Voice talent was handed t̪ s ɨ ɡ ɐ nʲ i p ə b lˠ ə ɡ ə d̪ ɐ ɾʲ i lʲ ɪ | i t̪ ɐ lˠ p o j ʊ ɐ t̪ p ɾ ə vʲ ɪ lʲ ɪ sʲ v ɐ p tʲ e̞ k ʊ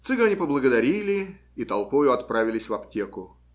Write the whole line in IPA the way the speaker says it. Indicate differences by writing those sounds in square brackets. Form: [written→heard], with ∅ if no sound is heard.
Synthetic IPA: t̪ s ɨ ɡ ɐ nʲ i p ə b lˠ ə ɡ ə d̪ ɐ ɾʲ i lʲ ɪ | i t̪ ɐ lˠ p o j ʊ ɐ t̪ p ɾ [ə→a] vʲ ɪ lʲ ɪ sʲ v ɐ p tʲ e̞ k ʊ